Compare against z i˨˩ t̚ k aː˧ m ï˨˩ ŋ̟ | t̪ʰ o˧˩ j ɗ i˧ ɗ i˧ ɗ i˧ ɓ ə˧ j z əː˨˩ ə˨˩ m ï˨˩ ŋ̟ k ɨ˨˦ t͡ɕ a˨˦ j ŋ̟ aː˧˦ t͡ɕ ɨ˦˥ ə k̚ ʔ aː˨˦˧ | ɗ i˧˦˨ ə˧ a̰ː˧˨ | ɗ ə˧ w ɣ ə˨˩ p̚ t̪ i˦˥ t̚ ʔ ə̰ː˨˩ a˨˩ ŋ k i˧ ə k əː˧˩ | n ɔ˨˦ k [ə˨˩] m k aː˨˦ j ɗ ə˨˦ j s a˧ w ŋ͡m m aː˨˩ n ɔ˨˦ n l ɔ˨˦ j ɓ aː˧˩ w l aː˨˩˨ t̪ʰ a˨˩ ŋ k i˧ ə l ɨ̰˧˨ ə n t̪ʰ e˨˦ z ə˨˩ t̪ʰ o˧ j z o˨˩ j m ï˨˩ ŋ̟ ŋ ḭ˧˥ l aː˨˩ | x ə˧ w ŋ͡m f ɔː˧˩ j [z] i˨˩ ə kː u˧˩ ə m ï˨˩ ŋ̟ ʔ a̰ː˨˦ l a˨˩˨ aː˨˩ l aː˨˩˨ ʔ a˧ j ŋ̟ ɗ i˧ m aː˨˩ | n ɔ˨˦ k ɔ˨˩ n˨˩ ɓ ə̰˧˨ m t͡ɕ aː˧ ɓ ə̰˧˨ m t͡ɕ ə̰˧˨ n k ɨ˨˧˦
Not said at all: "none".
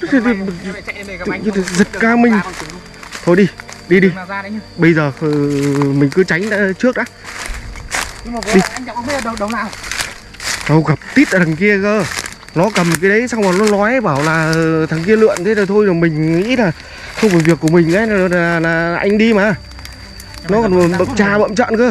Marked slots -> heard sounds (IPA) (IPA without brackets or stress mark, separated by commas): ə˨˩, v